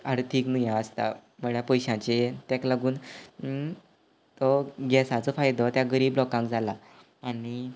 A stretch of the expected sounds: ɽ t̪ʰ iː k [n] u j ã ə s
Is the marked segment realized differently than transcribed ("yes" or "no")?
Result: no